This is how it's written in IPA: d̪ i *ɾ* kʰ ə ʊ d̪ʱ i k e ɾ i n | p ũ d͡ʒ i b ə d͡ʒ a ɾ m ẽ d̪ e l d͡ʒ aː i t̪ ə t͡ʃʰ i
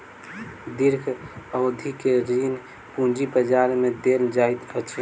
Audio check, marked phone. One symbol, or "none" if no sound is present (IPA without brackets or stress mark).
ɾ